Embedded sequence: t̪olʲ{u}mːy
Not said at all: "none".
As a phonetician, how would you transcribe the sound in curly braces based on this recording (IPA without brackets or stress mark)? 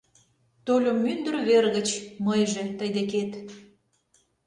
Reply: o